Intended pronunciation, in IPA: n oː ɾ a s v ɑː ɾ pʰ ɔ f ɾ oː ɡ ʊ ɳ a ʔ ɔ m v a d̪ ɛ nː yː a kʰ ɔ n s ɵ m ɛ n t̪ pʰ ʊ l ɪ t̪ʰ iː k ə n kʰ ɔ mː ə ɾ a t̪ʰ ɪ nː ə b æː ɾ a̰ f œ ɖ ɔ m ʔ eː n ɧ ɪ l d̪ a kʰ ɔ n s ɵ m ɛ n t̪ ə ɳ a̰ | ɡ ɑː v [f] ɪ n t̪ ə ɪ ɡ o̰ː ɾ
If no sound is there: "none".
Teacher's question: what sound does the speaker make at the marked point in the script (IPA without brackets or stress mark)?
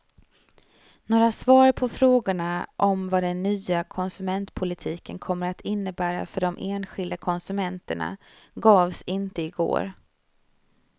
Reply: s